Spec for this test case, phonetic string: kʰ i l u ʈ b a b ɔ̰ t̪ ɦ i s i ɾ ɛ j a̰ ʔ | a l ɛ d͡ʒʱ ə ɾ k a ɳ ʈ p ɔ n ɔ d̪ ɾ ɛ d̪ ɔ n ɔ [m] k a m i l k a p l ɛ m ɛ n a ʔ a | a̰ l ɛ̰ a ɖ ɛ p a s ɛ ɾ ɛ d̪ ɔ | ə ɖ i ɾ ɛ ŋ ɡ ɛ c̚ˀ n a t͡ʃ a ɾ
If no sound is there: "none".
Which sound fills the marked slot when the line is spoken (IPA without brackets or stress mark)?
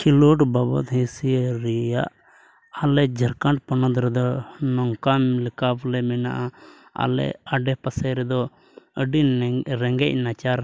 ŋ